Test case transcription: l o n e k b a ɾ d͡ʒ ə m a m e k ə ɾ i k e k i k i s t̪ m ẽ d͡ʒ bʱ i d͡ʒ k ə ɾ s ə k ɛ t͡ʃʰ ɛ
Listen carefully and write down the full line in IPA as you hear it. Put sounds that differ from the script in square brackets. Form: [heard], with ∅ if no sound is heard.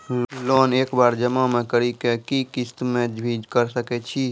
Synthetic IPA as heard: l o n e k b a ɾ d͡ʒ ə m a m e k ə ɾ i k e k i k i s t̪ m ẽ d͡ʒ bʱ i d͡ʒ k ə ɾ s ə k ɛ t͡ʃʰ [i]